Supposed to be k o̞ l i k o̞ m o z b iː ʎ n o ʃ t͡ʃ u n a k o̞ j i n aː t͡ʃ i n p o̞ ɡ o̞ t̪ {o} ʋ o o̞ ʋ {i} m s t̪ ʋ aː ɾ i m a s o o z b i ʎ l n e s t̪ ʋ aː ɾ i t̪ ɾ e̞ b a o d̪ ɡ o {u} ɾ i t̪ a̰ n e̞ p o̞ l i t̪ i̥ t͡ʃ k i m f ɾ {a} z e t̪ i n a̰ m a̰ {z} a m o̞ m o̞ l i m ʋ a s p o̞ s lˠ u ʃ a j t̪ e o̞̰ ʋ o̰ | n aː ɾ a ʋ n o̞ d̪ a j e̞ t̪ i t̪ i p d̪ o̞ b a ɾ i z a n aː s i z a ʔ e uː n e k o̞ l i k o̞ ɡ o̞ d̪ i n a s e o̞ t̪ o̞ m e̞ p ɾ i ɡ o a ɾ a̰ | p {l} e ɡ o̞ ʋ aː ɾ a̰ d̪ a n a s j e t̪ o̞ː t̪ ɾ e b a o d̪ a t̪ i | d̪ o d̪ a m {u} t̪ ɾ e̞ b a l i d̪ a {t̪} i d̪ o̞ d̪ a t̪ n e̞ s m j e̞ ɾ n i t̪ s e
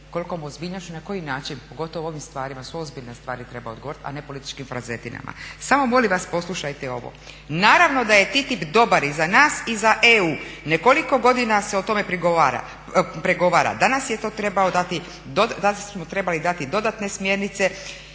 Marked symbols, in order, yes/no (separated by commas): yes, yes, no, yes, no, no, no, yes